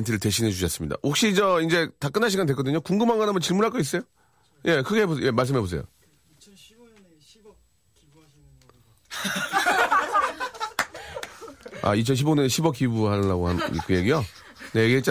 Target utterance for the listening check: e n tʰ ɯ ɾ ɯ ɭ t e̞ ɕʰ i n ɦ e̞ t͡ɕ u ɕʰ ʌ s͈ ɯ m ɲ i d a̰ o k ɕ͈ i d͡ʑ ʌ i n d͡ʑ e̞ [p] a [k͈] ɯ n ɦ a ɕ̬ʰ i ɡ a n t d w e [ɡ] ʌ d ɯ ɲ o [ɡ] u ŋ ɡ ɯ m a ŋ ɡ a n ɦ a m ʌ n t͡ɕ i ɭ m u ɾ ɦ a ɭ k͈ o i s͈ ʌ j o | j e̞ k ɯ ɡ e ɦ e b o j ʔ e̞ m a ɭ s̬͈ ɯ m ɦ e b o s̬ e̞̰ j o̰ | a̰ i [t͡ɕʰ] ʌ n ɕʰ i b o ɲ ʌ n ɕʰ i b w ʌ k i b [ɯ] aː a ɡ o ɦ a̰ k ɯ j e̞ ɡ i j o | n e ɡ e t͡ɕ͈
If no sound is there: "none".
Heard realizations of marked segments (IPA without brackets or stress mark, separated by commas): t, k͈, k, k, t͡ɕʰ, u